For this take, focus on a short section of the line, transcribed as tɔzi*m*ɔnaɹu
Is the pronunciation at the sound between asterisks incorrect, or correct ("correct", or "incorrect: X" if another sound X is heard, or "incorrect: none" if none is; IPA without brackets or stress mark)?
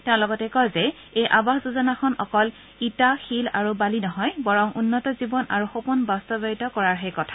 incorrect: b